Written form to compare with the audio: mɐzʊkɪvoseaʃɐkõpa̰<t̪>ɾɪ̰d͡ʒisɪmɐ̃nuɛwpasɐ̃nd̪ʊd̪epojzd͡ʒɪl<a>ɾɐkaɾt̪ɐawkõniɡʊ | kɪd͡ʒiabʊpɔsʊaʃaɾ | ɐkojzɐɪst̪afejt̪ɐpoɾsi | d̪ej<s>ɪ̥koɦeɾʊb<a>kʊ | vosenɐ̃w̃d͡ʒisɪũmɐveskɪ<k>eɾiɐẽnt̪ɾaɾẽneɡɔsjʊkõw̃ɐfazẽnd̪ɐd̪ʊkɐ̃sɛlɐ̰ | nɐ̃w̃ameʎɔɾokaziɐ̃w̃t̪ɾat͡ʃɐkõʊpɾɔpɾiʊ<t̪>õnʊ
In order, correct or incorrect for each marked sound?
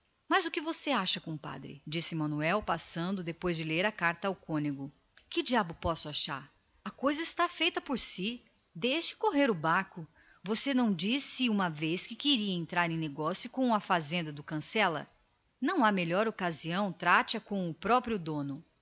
incorrect: d̪, incorrect: e, incorrect: ʃ, correct, correct, incorrect: d̪

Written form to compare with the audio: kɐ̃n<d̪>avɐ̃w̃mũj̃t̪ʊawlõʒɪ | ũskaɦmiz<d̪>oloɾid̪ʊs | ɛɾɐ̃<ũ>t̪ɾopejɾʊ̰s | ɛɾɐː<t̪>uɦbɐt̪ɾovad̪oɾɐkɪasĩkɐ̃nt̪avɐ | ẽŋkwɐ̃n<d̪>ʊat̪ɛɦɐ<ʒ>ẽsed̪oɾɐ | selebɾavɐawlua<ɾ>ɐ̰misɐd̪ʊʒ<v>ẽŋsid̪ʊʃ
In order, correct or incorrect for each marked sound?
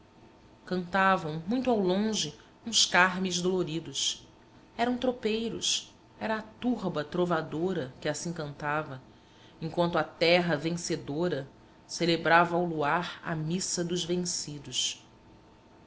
incorrect: t̪, correct, incorrect: w̃, correct, incorrect: t̪, incorrect: v, correct, correct

